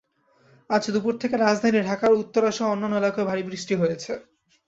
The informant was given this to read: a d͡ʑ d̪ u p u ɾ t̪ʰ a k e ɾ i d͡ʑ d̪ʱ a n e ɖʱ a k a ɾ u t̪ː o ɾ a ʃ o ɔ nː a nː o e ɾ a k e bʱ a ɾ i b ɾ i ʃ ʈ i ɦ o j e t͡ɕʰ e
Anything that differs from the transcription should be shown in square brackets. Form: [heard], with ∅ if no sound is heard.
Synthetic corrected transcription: a d͡ʑ d̪ u p u ɾ t̪ʰ [e] k e ɾ [a] d͡ʑ d̪ʱ a n [i] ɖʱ a k a ɾ u t̪ː o ɾ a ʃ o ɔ nː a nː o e [l] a k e bʱ a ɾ i b ɾ i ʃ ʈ i ɦ o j e t͡ɕʰ e